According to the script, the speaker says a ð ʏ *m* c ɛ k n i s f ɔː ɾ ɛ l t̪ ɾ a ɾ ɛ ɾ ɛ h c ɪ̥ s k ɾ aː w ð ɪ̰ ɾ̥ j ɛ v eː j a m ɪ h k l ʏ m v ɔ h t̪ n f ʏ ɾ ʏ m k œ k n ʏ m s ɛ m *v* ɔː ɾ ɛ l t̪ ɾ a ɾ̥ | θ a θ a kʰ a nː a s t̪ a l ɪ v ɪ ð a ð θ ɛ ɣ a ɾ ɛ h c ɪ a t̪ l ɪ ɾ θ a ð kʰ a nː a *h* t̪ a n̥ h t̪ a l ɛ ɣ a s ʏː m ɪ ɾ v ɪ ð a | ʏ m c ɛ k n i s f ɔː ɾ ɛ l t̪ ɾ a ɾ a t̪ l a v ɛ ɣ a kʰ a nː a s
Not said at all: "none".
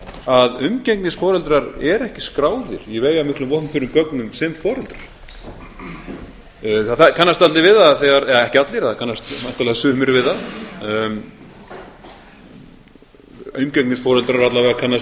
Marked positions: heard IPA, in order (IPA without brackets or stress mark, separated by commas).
m, f, s